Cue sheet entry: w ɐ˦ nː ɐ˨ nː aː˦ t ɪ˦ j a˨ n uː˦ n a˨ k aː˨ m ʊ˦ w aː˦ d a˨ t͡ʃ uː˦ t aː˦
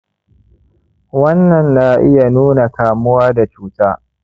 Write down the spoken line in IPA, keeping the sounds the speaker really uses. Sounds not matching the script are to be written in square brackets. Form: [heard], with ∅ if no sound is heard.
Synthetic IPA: w ɐ˦ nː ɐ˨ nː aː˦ [ʔ] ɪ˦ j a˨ n uː˦ n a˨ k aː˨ m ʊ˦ w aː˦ d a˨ t͡ʃ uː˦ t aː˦